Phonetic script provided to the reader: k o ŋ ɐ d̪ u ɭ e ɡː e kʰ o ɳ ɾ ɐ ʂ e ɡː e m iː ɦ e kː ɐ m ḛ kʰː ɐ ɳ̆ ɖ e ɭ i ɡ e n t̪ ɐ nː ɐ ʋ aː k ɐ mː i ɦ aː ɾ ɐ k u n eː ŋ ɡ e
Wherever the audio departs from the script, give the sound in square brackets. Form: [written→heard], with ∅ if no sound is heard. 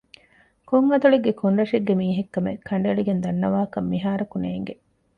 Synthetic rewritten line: k o ŋ ɐ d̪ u ɭ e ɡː e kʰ o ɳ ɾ ɐ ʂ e ɡː e m iː ɦ e kː ɐ m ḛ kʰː ɐ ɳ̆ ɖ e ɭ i ɡ e n [t̪→d̪] ɐ nː ɐ ʋ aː k ɐ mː i ɦ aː ɾ ɐ k u n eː ŋ ɡ e